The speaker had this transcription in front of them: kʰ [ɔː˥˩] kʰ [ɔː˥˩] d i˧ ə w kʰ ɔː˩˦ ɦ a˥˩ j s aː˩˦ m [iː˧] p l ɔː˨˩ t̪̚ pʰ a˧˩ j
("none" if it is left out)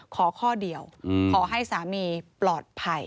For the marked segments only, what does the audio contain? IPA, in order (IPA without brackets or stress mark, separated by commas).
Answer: ɔː˩˦, ɔː˥˩, iː˧